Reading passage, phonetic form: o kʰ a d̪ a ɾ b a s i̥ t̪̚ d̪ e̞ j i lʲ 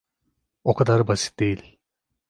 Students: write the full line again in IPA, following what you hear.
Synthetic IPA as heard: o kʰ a d̪ a ɾ b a s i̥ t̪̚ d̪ e̞ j i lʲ